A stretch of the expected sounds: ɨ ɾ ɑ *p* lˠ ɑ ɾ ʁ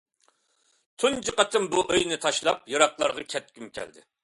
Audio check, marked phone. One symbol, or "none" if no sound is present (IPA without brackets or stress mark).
q